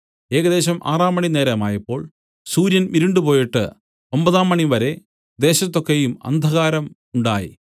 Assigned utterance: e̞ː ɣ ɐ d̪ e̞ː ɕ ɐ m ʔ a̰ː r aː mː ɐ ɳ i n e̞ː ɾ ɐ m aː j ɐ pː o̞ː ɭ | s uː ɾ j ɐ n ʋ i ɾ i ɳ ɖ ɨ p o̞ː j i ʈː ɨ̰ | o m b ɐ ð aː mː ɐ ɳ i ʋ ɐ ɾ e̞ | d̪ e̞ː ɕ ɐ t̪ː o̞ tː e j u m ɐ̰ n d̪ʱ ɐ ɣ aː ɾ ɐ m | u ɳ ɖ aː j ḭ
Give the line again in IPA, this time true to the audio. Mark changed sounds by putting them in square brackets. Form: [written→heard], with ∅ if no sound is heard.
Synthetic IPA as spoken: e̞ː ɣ ɐ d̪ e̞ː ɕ ɐ m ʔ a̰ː r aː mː ɐ ɳ i n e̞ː ɾ ɐ m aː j ɐ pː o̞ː ɭ | s uː ɾ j ɐ n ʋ i ɾ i ɳ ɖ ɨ p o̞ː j i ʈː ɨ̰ | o m b ɐ ð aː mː ɐ ɳ i ʋ ɐ ɾ e̞ | d̪ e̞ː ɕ ɐ t̪ː o̞ [tː→kː] e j u m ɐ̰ n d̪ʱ ɐ ɣ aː ɾ ɐ m | u ɳ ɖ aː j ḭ